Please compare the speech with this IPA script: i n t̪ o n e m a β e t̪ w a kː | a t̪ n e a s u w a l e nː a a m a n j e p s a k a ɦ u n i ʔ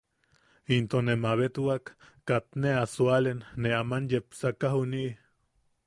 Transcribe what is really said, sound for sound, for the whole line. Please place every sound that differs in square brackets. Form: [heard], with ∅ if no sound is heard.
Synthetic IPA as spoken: i n t̪ o n e m a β e t̪ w a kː | a t̪ n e a s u [∅] a l e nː [e] a m a n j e p s a k a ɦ u n i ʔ